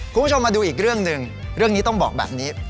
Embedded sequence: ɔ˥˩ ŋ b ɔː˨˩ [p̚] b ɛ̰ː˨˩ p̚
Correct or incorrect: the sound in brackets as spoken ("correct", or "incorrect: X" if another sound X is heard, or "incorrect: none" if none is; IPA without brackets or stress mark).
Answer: incorrect: k̚